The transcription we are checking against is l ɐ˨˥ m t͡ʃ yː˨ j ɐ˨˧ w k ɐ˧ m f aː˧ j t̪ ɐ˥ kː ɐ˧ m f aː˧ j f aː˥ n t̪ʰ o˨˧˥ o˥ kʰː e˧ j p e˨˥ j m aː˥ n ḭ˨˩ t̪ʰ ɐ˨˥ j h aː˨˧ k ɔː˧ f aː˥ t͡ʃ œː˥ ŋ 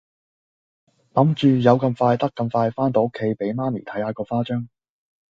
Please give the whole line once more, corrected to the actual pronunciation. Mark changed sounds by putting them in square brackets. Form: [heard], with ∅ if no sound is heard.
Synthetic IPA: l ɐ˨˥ m t͡ʃ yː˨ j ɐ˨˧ w k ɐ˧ m f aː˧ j t̪ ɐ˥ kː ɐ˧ m f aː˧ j f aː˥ n [t̪] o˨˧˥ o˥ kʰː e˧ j p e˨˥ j m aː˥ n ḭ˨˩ t̪ʰ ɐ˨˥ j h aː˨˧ k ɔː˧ f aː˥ t͡ʃ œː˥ ŋ